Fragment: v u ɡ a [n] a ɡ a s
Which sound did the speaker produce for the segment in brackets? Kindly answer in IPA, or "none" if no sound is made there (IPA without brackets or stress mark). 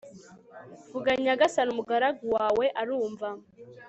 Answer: ɲ